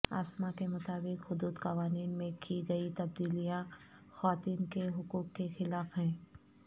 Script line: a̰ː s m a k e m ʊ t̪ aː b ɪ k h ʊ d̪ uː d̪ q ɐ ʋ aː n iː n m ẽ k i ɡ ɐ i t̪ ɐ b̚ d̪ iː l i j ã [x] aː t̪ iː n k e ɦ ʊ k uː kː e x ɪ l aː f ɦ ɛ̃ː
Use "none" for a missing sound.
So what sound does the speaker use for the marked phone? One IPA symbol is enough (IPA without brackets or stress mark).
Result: x